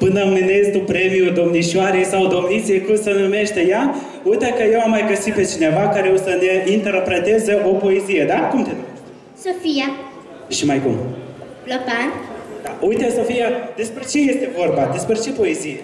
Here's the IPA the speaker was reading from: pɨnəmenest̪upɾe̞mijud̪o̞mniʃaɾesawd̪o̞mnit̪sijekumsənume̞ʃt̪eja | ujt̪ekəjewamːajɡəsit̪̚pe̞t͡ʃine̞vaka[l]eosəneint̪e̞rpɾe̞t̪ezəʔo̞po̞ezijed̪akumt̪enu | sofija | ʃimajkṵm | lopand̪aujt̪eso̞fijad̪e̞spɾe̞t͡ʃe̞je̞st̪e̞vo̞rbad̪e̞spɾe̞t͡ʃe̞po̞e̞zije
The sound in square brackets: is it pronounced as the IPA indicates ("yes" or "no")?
no